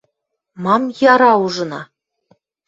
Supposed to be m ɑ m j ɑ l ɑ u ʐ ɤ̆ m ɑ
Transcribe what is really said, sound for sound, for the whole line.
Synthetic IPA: m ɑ m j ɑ ɾ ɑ u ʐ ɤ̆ n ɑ